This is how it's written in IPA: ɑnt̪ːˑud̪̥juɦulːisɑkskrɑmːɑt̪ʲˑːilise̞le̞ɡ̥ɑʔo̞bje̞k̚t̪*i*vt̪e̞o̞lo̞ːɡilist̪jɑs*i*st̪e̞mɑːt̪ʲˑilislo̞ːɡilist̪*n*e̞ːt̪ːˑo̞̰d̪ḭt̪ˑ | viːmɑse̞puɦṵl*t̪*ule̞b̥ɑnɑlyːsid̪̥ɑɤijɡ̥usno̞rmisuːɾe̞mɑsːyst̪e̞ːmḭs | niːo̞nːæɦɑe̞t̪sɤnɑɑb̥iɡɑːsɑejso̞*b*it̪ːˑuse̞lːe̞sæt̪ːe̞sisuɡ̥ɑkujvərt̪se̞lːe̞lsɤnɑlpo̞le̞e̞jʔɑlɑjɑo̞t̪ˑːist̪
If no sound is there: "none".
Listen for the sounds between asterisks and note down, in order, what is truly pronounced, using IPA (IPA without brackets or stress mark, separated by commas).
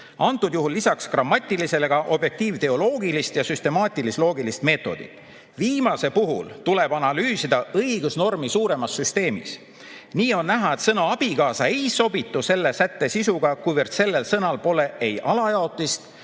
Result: iː, y, m, t̪, b